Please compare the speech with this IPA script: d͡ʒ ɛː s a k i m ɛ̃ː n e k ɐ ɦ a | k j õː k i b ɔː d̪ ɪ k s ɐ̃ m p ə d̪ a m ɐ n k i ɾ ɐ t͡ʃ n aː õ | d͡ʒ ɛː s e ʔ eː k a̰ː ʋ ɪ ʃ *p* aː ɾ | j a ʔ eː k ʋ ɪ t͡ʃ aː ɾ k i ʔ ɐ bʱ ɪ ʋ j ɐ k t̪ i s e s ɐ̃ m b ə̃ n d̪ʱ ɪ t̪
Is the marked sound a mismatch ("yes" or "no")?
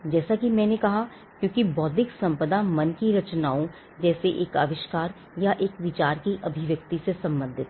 yes